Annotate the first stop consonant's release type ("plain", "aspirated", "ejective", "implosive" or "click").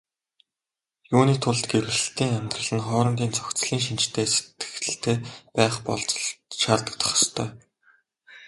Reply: aspirated